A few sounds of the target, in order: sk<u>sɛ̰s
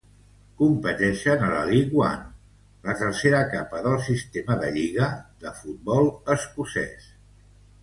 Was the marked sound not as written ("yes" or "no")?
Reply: no